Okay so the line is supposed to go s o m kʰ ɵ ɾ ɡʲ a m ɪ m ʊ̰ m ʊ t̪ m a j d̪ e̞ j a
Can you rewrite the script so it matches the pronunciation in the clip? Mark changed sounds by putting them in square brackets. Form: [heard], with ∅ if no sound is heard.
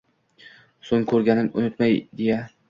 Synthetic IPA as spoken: s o [ŋ] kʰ ɵ ɾ ɡʲ a [n] ɪ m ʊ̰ [n] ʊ t̪ m a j d̪ e̞ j a